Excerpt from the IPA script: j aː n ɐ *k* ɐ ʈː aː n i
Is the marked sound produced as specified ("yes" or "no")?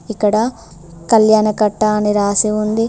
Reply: yes